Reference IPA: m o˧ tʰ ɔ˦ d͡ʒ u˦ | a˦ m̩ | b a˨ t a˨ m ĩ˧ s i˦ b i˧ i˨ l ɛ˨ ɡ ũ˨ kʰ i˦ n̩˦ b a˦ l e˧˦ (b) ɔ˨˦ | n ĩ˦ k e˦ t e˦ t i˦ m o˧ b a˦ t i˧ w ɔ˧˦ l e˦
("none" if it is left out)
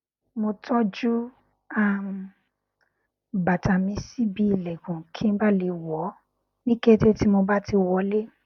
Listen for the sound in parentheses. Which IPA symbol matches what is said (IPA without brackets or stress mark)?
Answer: w